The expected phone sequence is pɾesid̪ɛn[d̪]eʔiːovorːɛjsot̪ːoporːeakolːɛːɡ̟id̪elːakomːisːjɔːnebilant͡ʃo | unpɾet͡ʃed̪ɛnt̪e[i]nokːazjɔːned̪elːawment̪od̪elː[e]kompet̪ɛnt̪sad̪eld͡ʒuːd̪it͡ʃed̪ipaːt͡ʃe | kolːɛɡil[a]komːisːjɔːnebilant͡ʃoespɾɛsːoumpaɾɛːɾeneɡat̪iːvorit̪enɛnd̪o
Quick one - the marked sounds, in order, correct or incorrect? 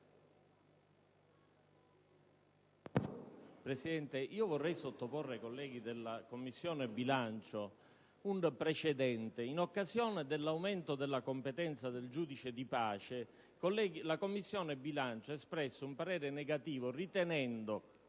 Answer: incorrect, correct, incorrect, correct

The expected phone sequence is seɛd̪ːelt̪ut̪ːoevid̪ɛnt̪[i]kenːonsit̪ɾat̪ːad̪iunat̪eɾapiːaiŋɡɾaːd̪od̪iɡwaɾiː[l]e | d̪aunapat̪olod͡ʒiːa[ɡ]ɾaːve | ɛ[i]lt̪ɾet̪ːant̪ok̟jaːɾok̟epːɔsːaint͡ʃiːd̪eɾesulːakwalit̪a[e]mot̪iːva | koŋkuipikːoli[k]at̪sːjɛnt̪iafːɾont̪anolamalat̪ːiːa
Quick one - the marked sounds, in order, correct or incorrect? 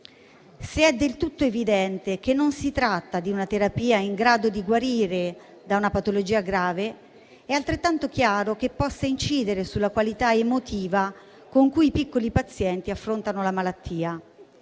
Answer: incorrect, incorrect, correct, incorrect, correct, incorrect

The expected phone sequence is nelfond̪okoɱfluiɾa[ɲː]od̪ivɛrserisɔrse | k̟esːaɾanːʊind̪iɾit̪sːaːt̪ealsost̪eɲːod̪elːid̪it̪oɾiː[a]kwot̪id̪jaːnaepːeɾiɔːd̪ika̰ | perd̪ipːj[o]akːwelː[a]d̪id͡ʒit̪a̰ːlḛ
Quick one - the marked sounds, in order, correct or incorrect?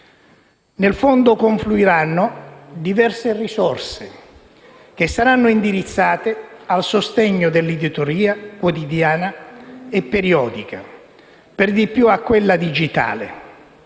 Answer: incorrect, correct, incorrect, correct

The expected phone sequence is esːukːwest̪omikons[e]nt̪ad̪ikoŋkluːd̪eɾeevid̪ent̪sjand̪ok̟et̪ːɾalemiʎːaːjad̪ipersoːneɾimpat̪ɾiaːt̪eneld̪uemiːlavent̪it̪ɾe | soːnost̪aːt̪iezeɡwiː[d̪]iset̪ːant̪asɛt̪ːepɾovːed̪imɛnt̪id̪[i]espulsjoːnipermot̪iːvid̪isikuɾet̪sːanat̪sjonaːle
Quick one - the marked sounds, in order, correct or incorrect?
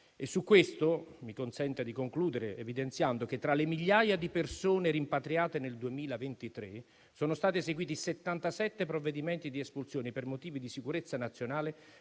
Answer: incorrect, incorrect, correct

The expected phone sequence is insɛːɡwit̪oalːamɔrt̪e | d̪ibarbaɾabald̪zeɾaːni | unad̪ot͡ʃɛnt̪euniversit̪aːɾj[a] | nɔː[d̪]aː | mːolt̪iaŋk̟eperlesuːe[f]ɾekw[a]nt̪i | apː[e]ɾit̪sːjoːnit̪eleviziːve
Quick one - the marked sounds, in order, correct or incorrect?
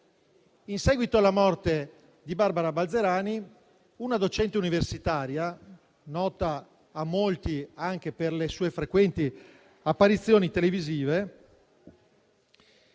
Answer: correct, incorrect, correct, incorrect, incorrect

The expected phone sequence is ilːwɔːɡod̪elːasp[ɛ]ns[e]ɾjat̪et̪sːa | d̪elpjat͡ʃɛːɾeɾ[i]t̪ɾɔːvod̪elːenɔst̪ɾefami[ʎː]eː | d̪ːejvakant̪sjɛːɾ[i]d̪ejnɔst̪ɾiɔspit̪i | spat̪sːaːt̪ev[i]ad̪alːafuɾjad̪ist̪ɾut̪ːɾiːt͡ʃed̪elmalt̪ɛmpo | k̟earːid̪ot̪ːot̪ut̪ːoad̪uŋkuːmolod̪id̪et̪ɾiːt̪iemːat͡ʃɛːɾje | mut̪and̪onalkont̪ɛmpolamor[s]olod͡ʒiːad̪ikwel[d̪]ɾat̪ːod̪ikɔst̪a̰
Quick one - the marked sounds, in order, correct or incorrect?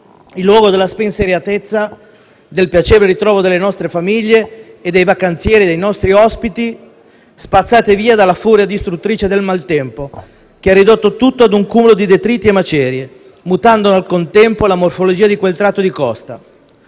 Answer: incorrect, correct, correct, correct, correct, incorrect, incorrect, incorrect

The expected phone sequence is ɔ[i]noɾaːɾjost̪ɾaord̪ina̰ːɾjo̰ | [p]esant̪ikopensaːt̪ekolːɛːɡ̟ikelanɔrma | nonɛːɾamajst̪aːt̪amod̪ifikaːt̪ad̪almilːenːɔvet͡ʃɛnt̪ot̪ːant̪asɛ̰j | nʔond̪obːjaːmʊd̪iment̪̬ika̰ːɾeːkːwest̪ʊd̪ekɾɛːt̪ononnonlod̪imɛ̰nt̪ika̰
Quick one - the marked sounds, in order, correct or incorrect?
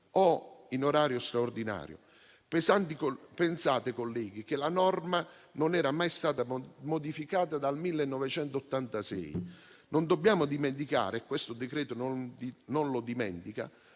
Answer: correct, correct

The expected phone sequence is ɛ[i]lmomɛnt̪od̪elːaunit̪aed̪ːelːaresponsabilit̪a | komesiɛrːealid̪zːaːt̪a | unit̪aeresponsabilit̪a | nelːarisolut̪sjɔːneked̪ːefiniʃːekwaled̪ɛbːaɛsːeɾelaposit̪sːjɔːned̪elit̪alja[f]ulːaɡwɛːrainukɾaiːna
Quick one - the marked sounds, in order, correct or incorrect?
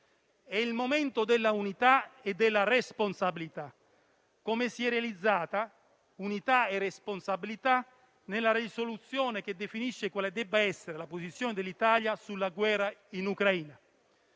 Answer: correct, incorrect

